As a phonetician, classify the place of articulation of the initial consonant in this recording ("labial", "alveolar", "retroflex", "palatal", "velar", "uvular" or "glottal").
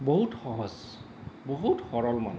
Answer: labial